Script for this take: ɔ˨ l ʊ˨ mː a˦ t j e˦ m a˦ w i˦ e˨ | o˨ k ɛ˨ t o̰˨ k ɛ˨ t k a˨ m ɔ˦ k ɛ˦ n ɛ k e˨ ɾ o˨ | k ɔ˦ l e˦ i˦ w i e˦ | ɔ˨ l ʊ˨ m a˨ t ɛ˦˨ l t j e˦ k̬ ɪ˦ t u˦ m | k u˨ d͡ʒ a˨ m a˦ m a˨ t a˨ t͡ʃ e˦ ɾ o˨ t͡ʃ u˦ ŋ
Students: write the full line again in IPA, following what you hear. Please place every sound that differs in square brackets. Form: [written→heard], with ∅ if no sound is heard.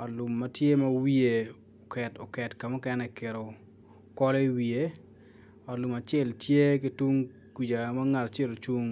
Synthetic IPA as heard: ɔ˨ l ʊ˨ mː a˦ t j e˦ m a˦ w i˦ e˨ | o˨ k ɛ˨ t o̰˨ k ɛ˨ t k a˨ m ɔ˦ k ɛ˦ n ɛ k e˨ ɾ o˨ | k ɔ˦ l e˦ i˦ w i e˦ | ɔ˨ l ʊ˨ m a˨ [t→t͡ʃ] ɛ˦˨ l t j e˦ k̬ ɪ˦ t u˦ [m→ŋ] | k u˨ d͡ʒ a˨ m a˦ [m→ŋ] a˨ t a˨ t͡ʃ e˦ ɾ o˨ t͡ʃ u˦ ŋ